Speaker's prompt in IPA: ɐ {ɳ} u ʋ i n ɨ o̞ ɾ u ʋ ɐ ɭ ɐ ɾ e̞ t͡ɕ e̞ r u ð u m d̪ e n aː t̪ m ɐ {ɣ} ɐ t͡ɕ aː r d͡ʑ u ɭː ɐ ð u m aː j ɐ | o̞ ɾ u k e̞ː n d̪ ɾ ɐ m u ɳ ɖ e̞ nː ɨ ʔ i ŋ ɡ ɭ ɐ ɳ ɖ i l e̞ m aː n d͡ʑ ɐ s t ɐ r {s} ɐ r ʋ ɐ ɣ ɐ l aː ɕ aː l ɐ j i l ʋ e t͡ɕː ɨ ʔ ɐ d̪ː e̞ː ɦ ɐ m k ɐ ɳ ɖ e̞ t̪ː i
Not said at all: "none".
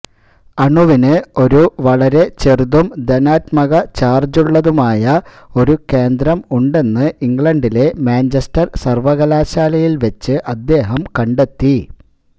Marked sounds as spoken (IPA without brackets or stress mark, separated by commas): ɳ, ɣ, s